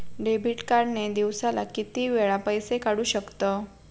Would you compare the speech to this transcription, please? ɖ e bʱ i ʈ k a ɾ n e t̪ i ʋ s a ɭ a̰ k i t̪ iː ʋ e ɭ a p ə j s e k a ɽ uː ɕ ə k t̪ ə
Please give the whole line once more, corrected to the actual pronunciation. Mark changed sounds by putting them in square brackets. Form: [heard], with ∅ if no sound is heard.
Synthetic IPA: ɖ e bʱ i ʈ k a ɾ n e [d̪] i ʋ s a [l] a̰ k i t̪ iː ʋ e ɭ a p ə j s e k a ɽ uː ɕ ə k t̪ ə